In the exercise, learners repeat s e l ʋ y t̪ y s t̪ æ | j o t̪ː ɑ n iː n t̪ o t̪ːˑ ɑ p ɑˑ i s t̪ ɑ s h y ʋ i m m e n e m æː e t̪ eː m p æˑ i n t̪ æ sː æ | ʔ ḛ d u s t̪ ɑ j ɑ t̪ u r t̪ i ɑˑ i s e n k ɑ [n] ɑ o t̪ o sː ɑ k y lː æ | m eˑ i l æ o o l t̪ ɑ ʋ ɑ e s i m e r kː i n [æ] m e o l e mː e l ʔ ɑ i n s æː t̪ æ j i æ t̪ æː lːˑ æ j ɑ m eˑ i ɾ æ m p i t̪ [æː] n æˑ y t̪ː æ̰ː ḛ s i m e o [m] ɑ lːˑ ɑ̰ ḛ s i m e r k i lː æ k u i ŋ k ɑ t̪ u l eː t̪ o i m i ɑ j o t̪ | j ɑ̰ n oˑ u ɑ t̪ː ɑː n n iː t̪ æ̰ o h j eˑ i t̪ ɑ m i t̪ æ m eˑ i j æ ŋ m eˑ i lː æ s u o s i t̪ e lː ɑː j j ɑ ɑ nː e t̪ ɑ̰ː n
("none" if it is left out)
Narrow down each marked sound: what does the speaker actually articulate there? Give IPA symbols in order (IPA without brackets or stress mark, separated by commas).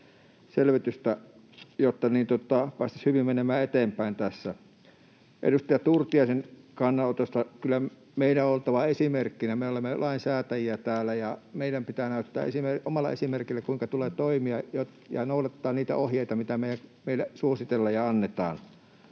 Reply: nː, æ, æː, m